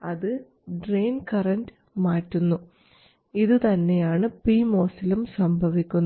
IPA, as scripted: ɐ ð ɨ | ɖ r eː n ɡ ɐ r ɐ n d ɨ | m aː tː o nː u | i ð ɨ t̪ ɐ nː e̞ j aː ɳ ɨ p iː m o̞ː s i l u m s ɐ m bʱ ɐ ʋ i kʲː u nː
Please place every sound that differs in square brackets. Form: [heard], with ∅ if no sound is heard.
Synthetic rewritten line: ɐ ð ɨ | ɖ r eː n [k] ɐ r ɐ n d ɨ | m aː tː [u] nː u | i ð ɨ t̪ ɐ nː e̞ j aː ɳ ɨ p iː m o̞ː s i l u m s ɐ m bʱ ɐ ʋ i kʲː u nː